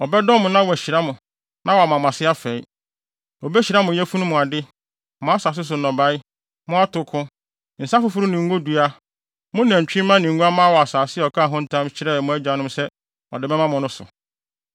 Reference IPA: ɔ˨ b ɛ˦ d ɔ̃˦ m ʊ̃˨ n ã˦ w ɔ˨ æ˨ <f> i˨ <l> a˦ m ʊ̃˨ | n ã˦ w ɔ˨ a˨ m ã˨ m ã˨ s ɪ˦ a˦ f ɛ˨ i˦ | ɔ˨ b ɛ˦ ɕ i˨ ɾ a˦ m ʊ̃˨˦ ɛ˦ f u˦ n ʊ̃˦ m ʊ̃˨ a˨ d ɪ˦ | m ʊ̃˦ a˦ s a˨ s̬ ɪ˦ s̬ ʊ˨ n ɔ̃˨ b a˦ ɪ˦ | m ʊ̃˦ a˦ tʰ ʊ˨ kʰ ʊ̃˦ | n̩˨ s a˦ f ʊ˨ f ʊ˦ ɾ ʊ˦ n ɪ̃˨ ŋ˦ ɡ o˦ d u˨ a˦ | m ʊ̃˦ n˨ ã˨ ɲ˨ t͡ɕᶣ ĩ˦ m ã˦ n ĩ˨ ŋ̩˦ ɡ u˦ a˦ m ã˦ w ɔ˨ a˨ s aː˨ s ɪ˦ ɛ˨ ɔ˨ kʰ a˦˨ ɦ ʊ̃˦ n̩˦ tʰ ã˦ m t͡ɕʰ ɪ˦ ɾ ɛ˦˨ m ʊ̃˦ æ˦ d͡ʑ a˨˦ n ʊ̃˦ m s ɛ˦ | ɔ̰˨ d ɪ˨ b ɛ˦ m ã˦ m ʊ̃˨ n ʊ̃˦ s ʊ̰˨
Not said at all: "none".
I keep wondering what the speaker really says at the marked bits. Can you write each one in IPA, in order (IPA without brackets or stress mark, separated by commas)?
ɕ, ɾ